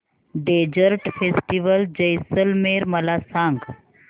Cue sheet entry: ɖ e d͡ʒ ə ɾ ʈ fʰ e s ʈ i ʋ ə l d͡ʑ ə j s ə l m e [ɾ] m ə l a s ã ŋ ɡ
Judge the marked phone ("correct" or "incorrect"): correct